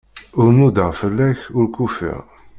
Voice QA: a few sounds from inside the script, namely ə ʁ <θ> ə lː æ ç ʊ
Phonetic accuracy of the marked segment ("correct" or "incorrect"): incorrect